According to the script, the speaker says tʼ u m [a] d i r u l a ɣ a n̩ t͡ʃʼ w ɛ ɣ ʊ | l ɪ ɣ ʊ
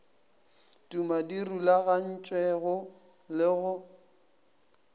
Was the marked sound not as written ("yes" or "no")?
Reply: no